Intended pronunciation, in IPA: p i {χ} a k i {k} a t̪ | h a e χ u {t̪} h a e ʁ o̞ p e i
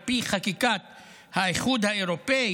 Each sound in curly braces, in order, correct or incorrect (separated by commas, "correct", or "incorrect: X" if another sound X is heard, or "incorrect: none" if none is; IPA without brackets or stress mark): correct, correct, incorrect: d̪